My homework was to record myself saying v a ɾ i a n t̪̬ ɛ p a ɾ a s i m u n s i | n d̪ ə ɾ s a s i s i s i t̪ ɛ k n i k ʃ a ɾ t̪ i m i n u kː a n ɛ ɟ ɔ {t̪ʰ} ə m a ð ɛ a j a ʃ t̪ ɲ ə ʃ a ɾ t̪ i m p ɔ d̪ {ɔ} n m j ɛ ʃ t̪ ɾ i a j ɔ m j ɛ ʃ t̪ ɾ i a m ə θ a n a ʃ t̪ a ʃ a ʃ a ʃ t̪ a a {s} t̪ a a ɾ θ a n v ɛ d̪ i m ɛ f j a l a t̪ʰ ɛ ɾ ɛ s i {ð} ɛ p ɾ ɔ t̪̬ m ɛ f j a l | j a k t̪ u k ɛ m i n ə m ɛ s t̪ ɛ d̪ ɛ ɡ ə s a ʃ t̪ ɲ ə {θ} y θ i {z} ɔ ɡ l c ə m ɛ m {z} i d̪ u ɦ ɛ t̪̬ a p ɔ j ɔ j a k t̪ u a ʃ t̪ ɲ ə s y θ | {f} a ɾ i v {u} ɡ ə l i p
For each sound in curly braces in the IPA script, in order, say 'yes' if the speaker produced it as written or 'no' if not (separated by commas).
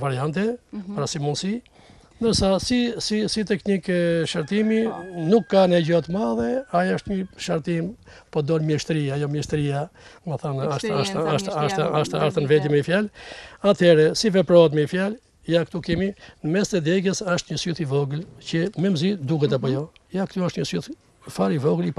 no, yes, no, no, no, no, yes, yes, no